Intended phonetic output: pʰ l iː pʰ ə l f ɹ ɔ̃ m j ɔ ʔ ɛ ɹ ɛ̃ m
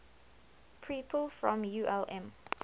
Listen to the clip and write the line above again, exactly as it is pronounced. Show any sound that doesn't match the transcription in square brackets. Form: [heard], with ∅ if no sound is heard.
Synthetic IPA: pʰ [ɹ] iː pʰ ə l f ɹ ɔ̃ m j [u] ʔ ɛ [l] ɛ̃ m